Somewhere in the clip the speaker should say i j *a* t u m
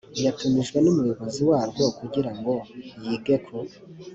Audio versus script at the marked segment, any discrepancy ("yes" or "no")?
no